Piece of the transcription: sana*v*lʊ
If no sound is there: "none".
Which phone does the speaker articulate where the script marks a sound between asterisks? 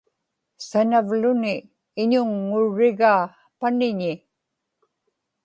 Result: v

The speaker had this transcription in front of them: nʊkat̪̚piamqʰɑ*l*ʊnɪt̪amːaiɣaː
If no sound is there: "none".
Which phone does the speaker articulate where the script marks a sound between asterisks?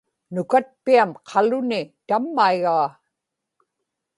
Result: l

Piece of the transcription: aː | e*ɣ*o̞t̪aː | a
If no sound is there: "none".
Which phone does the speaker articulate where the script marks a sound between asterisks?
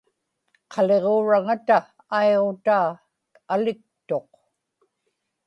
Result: ʁ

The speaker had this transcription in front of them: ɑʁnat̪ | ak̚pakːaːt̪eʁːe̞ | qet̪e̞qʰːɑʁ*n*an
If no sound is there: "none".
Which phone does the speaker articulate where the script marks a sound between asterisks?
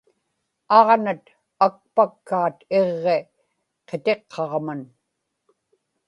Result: m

